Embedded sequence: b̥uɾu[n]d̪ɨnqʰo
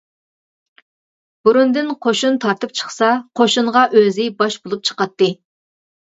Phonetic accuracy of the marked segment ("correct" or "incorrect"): correct